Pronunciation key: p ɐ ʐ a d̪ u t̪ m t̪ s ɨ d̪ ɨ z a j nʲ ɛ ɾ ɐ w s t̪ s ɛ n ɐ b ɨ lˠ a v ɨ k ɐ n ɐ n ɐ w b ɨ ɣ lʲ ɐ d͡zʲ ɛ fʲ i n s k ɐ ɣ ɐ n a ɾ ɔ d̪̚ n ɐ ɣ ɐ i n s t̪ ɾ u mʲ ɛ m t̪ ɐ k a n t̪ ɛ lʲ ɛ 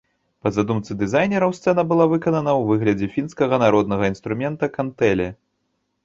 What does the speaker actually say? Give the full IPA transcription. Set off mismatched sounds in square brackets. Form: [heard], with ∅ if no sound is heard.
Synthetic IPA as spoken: p ɐ [z] a d̪ u [∅] m t̪ s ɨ d̪ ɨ z a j nʲ ɛ ɾ ɐ w s t̪ s ɛ n ɐ b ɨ lˠ a v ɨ k ɐ n ɐ n ɐ w [v] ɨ ɣ lʲ ɐ d͡zʲ ɛ fʲ i n s k ɐ ɣ ɐ n a ɾ ɔ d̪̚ n ɐ ɣ ɐ i n s t̪ ɾ u mʲ ɛ [n] t̪ ɐ k a n t̪ ɛ lʲ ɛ